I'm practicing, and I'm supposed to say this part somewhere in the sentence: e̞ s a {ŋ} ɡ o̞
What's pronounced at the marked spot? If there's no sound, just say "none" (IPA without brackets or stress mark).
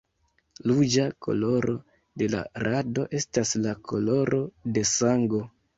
ŋ